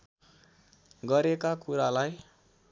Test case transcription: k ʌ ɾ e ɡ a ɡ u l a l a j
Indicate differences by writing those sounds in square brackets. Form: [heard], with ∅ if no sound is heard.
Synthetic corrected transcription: [ɡ] ʌ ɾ e [k] a [k] u [ɾ] a l a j